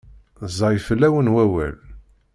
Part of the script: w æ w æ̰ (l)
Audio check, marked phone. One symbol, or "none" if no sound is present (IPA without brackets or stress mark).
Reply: l